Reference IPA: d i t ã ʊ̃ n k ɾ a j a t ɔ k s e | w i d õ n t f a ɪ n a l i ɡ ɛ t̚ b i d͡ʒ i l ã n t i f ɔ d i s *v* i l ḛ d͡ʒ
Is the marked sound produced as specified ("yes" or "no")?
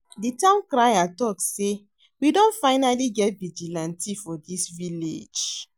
yes